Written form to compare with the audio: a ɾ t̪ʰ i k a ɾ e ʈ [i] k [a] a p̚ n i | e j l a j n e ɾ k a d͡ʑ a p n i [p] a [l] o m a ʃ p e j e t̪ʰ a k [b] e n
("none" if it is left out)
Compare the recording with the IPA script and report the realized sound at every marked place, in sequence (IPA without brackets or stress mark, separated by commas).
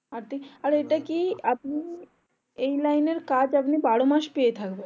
a, i, b, ɽ, b